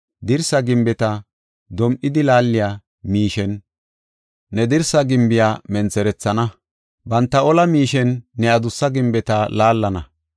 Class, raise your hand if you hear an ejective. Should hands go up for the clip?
no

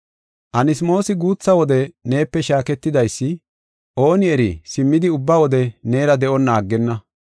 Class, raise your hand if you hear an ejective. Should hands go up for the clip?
no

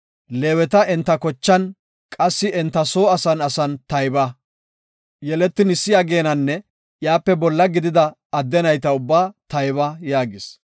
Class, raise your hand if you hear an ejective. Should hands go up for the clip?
yes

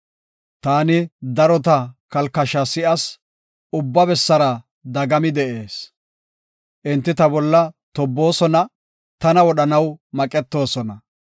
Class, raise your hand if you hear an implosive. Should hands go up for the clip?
yes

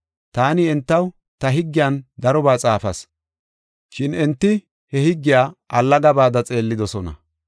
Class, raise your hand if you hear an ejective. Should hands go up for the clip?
yes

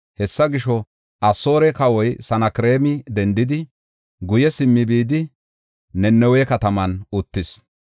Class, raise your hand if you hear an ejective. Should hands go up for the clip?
no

